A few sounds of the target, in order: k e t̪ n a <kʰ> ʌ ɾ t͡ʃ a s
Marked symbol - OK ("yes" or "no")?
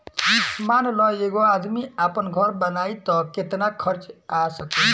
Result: yes